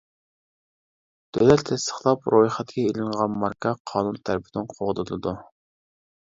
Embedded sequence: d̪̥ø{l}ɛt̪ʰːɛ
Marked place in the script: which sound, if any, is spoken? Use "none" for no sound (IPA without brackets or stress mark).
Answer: l